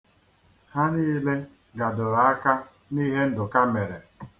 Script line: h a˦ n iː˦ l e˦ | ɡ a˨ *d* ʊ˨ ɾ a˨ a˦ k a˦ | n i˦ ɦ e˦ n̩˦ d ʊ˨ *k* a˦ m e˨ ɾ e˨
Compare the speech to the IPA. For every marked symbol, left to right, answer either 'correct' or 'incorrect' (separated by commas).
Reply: correct, correct